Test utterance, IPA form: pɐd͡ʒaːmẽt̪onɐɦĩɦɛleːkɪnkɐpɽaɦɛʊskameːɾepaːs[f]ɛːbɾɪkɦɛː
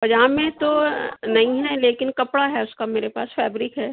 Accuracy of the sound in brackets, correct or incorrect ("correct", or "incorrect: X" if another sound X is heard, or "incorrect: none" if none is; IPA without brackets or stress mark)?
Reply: correct